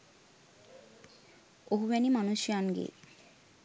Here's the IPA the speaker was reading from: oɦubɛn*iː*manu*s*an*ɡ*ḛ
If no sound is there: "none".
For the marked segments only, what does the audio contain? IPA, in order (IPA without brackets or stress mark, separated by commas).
i, ʃ, ɡ